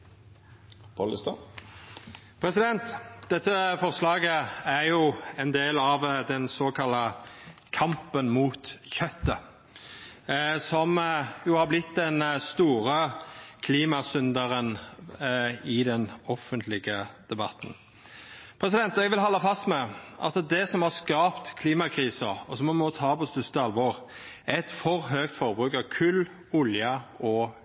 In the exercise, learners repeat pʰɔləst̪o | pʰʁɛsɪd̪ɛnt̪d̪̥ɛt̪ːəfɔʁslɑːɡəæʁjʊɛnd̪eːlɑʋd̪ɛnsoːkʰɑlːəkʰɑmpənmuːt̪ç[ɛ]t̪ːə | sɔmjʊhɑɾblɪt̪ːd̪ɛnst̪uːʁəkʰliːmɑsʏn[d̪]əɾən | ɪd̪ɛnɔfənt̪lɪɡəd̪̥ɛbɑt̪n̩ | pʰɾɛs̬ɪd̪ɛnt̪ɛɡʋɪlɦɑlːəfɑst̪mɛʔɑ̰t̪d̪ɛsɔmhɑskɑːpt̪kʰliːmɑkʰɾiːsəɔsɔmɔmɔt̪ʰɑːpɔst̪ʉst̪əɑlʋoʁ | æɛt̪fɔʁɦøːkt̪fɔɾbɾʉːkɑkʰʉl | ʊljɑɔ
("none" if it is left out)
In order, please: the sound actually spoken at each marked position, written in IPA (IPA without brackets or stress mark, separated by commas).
œ, d̪